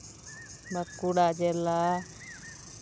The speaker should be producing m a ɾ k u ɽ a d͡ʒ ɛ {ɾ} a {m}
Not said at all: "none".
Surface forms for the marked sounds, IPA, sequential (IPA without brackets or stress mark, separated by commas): l, none